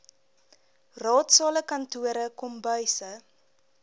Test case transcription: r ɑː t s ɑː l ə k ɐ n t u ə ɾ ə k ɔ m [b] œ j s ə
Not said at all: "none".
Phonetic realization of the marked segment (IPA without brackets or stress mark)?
b